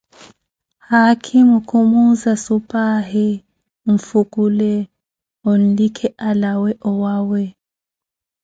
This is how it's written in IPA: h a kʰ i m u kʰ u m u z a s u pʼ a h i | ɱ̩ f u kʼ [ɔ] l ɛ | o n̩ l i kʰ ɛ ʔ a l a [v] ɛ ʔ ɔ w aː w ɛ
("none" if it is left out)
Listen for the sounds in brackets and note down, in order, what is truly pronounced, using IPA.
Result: u, w

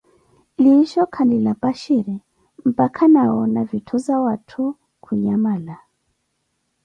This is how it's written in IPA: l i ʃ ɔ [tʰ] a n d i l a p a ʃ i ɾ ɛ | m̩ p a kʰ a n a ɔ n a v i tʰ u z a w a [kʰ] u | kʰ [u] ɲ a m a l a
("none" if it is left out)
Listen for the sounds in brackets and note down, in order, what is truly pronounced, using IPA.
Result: kʰ, tʰ, u

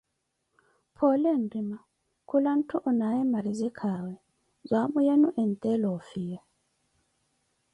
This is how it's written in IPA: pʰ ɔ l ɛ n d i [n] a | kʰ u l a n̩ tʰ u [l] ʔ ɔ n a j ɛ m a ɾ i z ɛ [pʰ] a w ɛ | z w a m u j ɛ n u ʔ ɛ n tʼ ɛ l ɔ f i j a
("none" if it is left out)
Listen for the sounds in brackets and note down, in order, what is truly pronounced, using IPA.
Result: m, none, kʰ

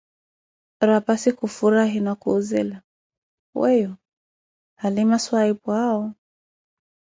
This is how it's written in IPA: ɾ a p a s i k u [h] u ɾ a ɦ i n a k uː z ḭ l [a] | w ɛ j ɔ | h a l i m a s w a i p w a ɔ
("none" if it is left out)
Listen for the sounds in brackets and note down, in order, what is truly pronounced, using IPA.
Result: f, a

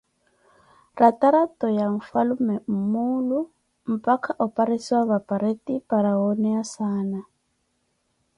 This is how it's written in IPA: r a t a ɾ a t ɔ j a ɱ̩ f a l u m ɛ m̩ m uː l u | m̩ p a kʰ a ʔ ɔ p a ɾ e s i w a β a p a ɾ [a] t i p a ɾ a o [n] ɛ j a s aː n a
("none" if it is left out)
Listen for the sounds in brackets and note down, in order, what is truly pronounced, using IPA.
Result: e, n

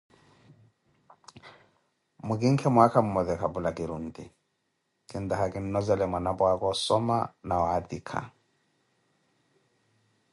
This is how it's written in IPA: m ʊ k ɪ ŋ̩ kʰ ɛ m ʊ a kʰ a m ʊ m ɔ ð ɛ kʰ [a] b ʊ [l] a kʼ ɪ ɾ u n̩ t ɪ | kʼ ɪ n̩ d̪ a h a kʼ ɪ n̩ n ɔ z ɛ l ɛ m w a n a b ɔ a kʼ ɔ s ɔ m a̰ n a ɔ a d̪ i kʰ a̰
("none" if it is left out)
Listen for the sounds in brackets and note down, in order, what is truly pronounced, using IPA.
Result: a, l

